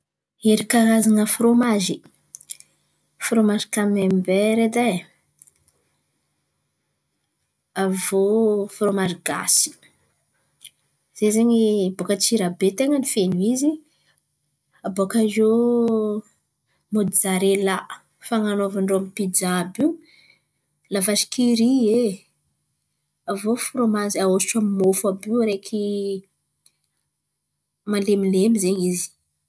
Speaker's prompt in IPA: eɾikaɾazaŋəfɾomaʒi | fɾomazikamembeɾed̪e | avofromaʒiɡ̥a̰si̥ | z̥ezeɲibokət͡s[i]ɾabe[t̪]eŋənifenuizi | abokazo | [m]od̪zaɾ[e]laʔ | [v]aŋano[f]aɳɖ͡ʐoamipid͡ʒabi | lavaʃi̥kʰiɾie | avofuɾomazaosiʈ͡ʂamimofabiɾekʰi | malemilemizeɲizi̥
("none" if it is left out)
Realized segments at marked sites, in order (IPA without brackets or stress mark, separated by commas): i, t̪, m, e, f, v